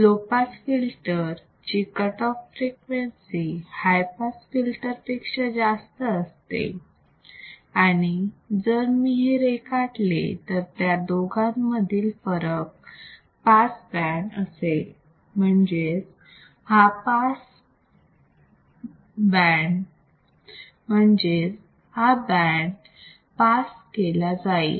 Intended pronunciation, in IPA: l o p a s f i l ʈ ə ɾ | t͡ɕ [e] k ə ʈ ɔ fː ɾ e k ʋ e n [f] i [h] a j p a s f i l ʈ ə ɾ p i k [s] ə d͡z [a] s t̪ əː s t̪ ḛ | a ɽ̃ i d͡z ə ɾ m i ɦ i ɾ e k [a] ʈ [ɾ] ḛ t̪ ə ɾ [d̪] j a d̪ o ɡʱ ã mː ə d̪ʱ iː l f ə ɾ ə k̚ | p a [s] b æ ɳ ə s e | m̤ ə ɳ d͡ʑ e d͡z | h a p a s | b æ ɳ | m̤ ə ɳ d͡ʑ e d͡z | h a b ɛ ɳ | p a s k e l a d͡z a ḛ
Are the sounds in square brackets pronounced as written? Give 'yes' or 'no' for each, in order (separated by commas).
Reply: no, no, yes, no, yes, yes, no, no, yes